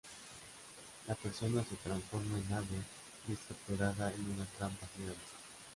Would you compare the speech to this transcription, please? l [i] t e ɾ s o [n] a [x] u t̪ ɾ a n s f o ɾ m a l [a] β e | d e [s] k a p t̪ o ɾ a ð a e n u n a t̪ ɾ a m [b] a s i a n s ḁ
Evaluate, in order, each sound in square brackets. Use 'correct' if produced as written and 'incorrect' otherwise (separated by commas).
incorrect, correct, incorrect, correct, correct, incorrect